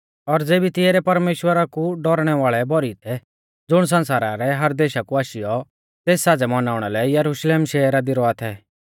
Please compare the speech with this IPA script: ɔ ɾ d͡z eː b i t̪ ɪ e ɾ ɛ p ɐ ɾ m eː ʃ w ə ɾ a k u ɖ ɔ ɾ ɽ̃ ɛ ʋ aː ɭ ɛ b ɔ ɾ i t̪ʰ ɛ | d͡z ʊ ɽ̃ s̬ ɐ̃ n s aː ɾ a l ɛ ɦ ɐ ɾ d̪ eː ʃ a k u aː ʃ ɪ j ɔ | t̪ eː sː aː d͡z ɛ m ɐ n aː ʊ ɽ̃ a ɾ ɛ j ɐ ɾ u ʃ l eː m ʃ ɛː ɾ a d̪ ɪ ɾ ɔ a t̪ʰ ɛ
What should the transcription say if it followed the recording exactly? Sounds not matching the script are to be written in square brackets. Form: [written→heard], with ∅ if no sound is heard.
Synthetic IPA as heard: ɔ ɾ d͡z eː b i t̪ ɪ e ɾ ɛ p ɐ ɾ m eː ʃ w ə ɾ a k u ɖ ɔ ɾ ɽ̃ ɛ ʋ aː ɭ ɛ b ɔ ɾ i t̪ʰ ɛ | d͡z ʊ ɽ̃ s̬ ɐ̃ n s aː ɾ a [l→ɾ] ɛ ɦ ɐ ɾ d̪ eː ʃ a k u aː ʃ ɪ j ɔ | t̪ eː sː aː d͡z ɛ m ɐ n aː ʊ ɽ̃ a [ɾ→l] ɛ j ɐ ɾ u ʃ l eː m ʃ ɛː ɾ a d̪ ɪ ɾ ɔ a t̪ʰ ɛ